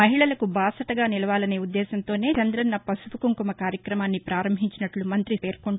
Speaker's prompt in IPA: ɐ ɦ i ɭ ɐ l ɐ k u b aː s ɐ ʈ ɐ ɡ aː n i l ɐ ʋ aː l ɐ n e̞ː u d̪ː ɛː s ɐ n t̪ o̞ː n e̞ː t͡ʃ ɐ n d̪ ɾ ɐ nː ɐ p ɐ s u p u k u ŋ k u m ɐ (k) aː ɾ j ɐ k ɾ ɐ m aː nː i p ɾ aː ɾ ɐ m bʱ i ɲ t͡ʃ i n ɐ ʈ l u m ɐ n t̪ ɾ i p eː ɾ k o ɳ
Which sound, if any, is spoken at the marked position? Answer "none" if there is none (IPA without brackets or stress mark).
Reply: k